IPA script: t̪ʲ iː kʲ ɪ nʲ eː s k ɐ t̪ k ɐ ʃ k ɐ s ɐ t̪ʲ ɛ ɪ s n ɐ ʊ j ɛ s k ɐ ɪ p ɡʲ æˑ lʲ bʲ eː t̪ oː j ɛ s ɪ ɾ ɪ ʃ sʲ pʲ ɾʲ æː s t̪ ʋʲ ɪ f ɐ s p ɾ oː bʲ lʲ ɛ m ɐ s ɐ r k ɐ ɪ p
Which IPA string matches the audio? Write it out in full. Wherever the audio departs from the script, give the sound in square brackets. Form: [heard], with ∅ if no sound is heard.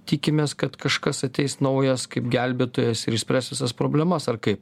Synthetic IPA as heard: t̪ʲ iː kʲ ɪ [mʲ] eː s k ɐ t̪ k ɐ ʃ k ɐ s ɐ t̪ʲ ɛ ɪ s n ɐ ʊ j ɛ s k ɐ ɪ p ɡʲ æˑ lʲ bʲ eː t̪ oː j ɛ s ɪ ɾ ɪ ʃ sʲ pʲ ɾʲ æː s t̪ ʋʲ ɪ [s] ɐ s p ɾ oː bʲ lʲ ɛ m ɐ s ɐ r k ɐ ɪ p